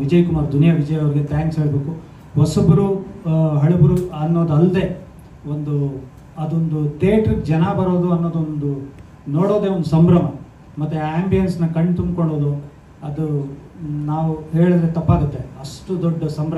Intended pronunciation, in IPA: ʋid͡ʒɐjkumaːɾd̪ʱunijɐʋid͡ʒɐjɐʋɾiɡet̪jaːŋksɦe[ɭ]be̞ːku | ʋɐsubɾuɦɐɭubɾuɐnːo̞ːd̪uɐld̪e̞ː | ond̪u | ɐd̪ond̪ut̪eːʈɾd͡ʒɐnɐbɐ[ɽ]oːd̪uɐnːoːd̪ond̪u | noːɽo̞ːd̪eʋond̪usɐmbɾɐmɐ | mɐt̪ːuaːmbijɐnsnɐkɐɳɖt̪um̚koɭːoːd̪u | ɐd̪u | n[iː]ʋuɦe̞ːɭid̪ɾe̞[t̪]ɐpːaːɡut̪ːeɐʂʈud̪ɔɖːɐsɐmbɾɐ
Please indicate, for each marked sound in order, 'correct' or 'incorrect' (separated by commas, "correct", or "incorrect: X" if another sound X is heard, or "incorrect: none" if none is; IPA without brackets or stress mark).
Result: correct, incorrect: ɾ, incorrect: aː, correct